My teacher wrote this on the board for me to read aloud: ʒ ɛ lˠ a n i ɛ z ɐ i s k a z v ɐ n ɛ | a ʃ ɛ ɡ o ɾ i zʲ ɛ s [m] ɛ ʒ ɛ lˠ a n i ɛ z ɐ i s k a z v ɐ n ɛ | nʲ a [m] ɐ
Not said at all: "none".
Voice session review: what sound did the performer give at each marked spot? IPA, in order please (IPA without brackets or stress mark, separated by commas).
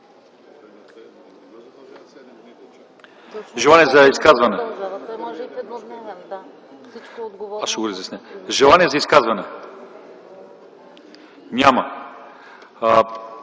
n, m